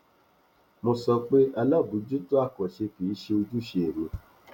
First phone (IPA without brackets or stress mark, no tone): m